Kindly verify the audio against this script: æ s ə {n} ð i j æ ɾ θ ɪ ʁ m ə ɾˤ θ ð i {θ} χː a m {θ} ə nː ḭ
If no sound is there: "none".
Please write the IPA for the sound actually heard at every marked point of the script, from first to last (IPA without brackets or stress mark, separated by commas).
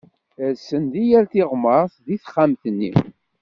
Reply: n, θ, θ